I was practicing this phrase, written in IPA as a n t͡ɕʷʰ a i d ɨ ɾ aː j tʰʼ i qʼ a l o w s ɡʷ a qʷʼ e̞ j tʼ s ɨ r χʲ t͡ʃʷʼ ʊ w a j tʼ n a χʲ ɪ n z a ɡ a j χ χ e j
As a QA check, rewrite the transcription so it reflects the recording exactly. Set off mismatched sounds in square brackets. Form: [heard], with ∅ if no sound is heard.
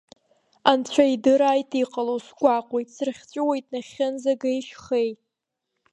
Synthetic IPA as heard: a n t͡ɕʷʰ a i d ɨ ɾ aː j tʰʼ i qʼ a l o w s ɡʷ a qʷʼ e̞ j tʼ s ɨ r χʲ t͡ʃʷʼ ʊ w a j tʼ n a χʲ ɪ n z a ɡ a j [ʃ] χ e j